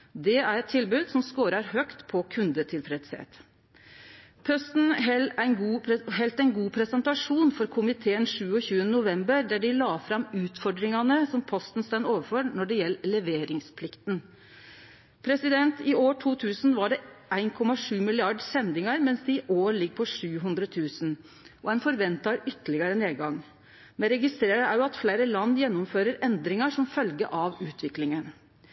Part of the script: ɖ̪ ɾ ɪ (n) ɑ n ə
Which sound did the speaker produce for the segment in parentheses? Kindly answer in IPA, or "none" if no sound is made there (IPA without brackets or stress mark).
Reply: ŋ